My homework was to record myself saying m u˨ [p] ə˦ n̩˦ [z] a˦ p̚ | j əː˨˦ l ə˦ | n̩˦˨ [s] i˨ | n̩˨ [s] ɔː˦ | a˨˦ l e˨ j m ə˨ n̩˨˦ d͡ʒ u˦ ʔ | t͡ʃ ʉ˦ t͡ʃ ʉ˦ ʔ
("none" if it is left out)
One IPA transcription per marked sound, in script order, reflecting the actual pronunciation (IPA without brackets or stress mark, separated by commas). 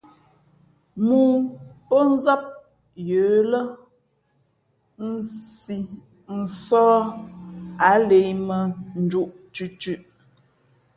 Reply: p, z, s, s